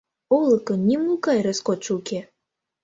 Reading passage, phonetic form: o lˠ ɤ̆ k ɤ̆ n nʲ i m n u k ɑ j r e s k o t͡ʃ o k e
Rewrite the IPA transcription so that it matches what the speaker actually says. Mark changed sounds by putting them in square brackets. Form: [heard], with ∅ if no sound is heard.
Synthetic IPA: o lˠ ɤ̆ k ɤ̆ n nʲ i m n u k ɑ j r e s k o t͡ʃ [u] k e